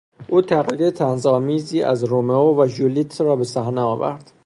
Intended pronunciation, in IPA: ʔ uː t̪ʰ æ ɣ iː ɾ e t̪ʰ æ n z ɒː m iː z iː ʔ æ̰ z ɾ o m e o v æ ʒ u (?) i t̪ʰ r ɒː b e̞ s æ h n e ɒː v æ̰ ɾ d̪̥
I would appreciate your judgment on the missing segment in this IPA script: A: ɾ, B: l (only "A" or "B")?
B